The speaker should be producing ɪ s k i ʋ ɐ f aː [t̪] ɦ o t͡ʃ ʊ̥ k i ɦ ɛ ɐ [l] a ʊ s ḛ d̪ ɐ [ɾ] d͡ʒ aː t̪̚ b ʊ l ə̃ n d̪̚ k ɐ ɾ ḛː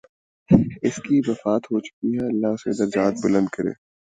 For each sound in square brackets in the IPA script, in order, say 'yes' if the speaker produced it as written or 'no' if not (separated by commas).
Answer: yes, no, yes